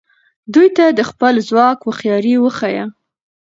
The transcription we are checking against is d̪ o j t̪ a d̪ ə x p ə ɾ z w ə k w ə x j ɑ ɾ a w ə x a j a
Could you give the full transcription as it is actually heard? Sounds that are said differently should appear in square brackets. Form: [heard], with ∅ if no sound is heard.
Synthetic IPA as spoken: d̪ [u] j t̪ a d̪ ə x p ə [l] z w [ɑ] k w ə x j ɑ ɾ [i] w ə x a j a